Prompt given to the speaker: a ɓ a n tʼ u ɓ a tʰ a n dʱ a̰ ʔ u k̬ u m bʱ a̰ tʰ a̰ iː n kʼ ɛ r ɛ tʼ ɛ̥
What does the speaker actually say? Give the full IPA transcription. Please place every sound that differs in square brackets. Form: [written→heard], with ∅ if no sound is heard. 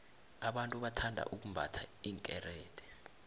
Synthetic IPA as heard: a ɓ a n tʼ u ɓ a tʰ a n dʱ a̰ ʔ u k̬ u m bʱ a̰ tʰ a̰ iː [n→ŋ] kʼ ɛ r [ɛ→ɛː] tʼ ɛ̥